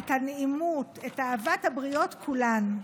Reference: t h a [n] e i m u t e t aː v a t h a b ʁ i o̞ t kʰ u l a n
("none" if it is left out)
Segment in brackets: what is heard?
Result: n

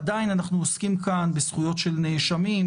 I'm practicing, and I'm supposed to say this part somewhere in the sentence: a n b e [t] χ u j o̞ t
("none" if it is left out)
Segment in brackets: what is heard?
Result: s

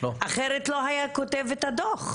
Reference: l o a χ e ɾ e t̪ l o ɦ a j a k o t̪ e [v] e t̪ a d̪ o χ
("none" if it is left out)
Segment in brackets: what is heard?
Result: v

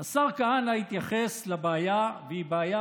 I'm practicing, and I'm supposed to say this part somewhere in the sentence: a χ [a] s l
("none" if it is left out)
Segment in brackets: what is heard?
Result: e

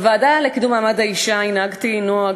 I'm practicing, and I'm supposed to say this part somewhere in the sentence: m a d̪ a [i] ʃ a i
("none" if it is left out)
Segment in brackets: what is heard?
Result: i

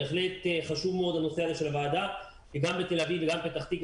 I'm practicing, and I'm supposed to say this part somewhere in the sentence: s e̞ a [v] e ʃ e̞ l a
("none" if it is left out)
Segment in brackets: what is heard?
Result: z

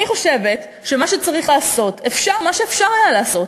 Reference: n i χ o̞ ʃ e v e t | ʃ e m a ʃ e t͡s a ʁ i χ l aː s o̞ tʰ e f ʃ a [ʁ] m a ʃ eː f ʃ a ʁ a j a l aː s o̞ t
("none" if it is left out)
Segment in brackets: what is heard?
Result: ʁ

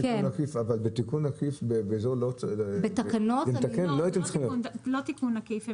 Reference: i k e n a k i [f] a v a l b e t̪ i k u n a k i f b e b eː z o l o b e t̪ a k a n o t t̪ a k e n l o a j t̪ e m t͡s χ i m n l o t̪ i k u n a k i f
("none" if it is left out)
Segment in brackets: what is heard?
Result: f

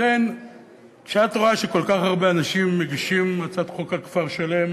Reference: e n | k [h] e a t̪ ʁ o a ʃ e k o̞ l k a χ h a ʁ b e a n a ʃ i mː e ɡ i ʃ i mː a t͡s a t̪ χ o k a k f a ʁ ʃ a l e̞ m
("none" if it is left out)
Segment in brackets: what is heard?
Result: ʃ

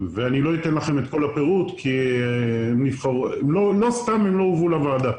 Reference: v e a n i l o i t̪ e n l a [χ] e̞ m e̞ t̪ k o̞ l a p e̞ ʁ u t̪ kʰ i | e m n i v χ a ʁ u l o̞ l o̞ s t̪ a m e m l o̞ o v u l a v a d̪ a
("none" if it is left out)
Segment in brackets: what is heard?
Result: χ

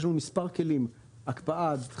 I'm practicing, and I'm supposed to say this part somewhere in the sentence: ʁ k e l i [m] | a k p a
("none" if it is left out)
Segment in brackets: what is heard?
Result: m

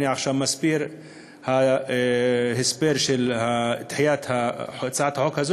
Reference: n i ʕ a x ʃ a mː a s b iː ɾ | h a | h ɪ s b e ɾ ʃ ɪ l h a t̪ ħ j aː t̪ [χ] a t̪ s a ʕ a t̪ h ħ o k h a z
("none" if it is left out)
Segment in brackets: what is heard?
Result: h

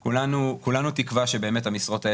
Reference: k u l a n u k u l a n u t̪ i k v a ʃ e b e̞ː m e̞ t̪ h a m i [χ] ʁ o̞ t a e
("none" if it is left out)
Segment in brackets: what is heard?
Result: s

